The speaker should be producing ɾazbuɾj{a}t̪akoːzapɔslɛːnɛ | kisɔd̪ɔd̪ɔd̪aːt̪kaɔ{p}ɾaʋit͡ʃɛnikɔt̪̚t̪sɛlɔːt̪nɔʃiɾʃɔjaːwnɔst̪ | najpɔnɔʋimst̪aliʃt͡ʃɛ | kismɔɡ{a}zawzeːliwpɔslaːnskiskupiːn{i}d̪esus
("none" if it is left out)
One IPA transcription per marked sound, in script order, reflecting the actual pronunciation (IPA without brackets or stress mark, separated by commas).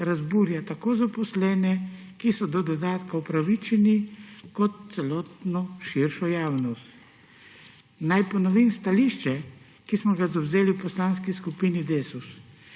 a, p, a, i